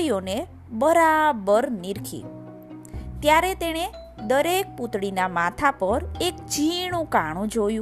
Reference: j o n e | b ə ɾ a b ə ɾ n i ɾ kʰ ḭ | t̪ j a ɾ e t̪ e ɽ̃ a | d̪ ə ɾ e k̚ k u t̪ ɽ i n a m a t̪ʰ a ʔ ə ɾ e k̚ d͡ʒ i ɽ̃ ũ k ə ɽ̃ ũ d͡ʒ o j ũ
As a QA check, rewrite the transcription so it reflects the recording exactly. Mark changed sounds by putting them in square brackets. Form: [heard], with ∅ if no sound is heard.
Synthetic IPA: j o n e | b ə ɾ a b ə ɾ n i ɾ kʰ ḭ | t̪ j a ɾ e t̪ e ɽ̃ [e] | d̪ ə ɾ e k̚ [p] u t̪ ɽ i n a m a t̪ʰ a [p] ə ɾ e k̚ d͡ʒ i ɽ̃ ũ k [a] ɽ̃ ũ d͡ʒ o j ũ